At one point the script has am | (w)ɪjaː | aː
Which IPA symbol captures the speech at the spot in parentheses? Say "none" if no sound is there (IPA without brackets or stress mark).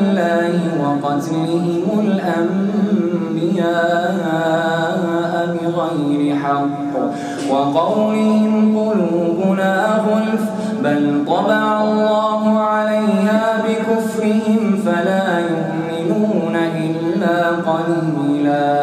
b